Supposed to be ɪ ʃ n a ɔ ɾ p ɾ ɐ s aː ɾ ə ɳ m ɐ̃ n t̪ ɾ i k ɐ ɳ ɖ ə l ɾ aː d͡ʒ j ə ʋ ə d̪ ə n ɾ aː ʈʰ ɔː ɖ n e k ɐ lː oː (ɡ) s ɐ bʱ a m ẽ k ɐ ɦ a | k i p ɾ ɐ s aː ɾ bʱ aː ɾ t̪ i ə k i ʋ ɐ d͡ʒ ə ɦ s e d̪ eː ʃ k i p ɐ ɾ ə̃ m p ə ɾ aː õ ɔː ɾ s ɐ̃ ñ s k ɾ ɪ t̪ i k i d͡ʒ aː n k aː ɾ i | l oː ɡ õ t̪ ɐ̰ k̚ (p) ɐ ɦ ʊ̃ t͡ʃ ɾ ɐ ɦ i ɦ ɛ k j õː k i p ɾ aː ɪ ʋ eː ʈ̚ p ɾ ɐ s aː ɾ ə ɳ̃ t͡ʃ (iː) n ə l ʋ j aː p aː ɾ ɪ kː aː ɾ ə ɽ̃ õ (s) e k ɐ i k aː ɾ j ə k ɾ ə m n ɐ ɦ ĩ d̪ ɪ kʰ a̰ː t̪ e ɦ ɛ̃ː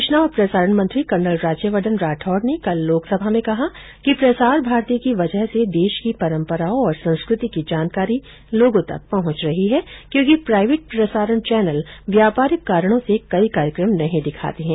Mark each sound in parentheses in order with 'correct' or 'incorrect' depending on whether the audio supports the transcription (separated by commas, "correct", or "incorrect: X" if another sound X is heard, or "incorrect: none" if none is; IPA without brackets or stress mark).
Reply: incorrect: k, correct, incorrect: ɛː, correct